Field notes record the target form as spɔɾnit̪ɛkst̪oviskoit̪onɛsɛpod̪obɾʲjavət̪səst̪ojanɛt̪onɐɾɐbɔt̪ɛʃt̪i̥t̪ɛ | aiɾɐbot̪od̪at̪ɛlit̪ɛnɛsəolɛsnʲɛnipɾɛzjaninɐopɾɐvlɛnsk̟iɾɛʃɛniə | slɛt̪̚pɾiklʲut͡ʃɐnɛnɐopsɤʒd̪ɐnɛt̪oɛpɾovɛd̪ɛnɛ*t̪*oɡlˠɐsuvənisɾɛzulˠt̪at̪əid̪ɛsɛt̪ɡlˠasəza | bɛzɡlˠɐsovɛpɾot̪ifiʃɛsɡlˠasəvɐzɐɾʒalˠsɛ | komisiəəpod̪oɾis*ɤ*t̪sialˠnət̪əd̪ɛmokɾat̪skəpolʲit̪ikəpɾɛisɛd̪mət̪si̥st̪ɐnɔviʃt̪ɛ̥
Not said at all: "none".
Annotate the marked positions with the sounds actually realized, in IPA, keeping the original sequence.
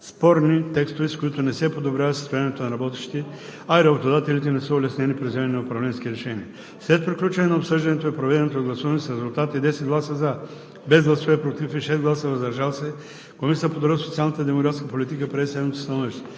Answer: t̪, o

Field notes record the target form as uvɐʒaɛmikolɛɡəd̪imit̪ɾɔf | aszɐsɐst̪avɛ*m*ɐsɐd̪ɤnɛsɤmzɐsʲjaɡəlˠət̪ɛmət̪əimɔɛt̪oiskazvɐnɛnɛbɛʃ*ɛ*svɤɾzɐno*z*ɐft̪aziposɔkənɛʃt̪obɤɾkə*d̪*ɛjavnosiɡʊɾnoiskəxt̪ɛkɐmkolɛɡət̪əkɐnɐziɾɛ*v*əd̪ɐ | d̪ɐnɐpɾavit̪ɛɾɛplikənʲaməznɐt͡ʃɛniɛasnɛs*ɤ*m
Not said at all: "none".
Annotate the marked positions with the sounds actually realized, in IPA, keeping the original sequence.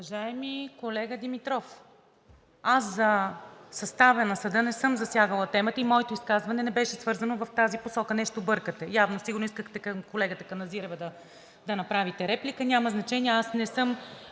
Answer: n, ɛ, v, t̪, v, ɤ

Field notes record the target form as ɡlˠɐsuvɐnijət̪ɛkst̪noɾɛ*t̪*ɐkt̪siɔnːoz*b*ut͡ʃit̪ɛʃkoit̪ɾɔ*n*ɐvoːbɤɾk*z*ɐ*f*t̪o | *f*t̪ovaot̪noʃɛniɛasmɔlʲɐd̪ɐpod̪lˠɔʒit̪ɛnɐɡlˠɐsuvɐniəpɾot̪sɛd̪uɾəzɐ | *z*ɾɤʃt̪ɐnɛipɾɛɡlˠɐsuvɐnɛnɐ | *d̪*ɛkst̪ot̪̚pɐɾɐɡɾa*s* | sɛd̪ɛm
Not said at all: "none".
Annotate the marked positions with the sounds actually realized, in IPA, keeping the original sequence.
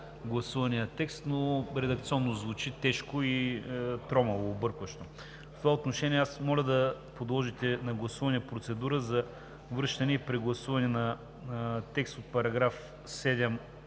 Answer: d̪, v, m, v, ʃ, f, v, t̪, f

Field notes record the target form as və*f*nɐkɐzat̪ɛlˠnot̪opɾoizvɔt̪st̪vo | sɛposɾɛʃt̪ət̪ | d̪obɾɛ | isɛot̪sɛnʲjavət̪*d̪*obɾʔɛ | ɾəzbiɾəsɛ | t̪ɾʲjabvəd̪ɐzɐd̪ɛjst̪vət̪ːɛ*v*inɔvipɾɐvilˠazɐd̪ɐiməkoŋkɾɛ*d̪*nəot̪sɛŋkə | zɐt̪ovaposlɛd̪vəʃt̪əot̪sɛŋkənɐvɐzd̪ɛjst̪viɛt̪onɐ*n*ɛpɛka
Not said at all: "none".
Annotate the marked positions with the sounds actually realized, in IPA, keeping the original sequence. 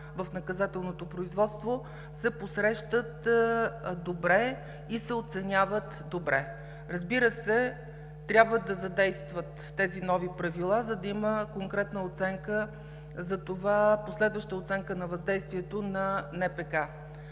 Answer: f, d̪, z, t̪, n

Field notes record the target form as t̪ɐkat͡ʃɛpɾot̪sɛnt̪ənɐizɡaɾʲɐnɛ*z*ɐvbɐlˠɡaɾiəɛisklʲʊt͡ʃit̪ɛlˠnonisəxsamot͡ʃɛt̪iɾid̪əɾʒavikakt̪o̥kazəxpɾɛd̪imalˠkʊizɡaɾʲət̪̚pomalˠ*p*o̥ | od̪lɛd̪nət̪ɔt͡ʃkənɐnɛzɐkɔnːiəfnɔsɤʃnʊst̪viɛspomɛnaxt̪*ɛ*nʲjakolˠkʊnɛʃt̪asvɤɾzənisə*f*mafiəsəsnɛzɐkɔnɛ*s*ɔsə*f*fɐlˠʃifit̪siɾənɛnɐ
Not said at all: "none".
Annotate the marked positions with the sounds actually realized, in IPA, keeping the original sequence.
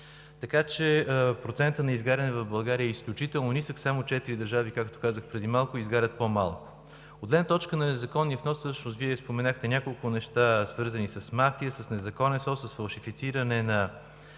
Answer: v, k, ɛ, s, s, s

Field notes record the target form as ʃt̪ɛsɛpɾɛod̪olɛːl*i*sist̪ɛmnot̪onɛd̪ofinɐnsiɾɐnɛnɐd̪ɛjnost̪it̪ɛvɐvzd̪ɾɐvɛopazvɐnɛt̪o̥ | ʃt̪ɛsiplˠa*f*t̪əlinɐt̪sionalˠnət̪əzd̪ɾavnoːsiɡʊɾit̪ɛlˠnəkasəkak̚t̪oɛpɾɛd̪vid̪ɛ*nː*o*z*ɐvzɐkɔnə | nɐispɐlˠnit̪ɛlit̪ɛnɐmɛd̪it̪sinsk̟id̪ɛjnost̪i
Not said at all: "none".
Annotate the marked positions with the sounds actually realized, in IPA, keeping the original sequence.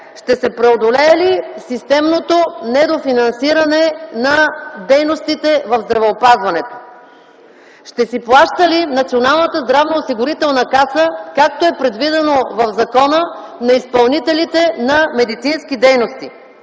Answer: i, ʃ, n, v

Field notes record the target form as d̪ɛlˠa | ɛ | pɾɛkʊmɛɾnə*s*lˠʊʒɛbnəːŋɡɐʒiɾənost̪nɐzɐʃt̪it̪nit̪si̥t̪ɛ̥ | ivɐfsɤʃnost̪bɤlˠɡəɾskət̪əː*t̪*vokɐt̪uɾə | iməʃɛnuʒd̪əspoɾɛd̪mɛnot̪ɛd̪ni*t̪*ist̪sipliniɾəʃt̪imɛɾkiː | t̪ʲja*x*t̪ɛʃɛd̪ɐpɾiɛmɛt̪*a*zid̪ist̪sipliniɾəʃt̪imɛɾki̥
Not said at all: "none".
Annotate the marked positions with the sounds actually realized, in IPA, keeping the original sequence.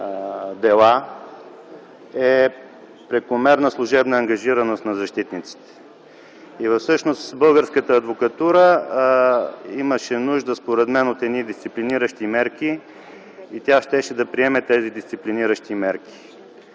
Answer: s, d̪, d̪, ʃ, ɛ

